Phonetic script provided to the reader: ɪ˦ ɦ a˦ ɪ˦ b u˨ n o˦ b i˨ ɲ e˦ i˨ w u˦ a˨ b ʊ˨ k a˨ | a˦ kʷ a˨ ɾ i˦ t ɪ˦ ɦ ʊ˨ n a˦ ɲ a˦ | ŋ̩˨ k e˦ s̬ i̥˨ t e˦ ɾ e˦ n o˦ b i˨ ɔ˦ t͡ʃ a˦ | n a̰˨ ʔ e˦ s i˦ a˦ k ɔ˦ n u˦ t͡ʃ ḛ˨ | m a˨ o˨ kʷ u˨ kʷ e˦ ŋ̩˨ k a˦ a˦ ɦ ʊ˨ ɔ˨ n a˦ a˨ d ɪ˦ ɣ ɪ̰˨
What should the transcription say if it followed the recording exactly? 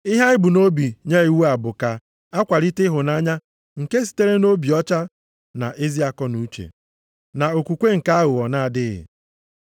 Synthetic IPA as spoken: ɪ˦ ɦ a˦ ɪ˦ b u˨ n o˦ b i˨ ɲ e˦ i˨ w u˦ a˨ b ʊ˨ k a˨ | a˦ kʷ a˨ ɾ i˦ t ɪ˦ ɦ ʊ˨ n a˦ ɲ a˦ | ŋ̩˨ k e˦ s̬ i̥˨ t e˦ ɾ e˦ n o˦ b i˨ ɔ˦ t͡ʃ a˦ | n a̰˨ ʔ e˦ z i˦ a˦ k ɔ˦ n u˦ t͡ʃ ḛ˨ | n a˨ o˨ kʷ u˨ kʷ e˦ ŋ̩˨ k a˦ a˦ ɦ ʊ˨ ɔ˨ n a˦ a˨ d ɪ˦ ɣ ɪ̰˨

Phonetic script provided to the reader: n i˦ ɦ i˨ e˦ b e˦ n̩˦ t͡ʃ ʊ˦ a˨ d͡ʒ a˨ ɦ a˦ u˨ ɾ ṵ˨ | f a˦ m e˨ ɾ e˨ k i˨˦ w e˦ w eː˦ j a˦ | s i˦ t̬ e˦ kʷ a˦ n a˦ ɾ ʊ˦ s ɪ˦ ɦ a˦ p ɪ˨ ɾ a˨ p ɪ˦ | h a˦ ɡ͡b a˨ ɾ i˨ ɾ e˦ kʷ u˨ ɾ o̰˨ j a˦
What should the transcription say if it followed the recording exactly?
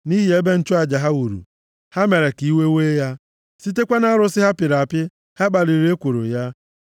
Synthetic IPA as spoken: n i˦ ɦ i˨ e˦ b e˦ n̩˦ t͡ʃ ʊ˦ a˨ d͡ʒ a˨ ɦ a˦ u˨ ɾ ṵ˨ | h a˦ m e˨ ɾ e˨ k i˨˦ w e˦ w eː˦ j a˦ | s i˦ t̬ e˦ kʷ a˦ n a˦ ɾ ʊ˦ s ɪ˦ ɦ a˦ p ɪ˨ ɾ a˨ p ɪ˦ | h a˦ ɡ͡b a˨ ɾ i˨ ɾ e˦ kʷ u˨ ɾ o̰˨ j a˦

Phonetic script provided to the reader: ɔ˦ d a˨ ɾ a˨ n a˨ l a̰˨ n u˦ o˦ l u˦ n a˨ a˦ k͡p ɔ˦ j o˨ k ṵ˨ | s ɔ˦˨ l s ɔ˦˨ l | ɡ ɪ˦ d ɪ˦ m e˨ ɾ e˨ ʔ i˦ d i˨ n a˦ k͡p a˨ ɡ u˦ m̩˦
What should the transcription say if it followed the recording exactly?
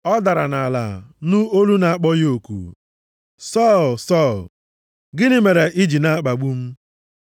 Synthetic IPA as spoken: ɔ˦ d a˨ ɾ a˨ n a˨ l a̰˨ n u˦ o˦ l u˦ n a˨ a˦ k͡p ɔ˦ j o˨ k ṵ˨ | s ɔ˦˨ l s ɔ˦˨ l | ɡ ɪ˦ n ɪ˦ m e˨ ɾ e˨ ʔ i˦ d͡ʒ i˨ n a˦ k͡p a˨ ɡ͡b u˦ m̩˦

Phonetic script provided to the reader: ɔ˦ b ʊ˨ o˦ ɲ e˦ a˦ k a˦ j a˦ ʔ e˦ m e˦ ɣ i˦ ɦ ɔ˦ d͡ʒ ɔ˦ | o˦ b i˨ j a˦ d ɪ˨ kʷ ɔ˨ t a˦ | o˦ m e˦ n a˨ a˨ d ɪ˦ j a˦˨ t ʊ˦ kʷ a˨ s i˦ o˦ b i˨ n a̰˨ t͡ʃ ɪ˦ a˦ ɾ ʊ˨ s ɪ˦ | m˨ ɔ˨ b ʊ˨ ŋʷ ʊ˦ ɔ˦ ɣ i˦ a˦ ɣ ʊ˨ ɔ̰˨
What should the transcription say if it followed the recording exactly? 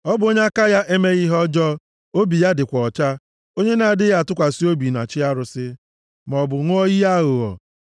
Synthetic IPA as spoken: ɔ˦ b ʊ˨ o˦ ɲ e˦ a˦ k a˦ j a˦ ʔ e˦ m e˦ ɣ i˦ ɦ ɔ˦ d͡ʒ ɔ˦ | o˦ b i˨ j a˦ d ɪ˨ kʷ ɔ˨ t͡ʃ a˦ | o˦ ɲ e˦ n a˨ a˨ d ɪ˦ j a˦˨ t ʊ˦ kʷ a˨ s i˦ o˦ b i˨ n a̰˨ t͡ʃ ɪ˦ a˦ ɾ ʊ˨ s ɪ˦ | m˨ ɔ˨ b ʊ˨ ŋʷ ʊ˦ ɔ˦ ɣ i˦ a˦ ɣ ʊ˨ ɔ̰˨

